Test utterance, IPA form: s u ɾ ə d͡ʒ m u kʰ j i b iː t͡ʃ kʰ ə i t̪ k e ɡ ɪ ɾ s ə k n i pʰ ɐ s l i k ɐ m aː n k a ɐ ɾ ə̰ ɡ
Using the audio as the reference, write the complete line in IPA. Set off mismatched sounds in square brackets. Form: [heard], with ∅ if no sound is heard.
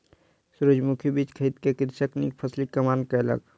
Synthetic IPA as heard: s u ɾ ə d͡ʒ m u kʰ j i b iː t͡ʃ kʰ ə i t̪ k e [k] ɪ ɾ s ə k n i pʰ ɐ s l i k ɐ m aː n k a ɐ [l] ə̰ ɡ